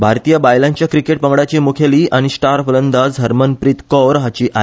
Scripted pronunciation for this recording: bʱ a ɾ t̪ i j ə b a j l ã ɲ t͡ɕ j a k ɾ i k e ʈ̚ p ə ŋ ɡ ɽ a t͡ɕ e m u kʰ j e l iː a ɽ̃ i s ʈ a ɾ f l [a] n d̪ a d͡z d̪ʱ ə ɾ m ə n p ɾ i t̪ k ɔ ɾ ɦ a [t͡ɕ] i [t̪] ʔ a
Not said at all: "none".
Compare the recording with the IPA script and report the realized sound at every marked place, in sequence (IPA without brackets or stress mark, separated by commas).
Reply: ə, t͡ɕ, none